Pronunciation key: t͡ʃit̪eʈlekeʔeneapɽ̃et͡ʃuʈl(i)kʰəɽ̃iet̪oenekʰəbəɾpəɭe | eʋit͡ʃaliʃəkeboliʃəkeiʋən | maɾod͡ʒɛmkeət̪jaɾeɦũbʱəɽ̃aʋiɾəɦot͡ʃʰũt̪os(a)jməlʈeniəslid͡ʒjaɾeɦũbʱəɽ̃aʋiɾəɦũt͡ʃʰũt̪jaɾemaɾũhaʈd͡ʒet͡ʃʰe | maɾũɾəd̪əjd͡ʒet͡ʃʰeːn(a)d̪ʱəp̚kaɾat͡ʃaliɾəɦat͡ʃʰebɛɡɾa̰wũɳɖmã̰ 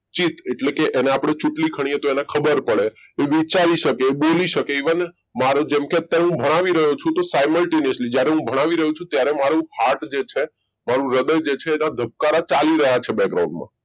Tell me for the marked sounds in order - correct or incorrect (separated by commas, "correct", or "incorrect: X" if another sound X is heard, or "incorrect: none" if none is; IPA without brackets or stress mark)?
correct, correct, correct